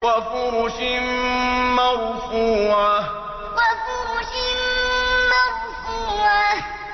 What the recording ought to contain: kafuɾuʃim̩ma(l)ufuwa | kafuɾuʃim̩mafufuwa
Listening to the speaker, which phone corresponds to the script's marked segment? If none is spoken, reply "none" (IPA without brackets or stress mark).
ɾ